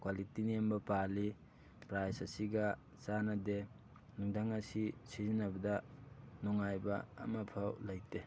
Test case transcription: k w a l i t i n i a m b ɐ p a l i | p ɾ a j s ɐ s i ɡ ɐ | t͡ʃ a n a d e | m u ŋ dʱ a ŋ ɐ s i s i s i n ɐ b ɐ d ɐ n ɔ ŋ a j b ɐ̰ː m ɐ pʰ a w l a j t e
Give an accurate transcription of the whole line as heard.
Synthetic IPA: k w a l i t i n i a m b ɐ p a l i | p ɾ a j s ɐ s i ɡ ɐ | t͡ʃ a n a d e | n u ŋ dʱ a ŋ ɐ s i s i z i n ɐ b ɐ d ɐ n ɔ ŋ a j b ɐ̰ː m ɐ pʰ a w l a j t e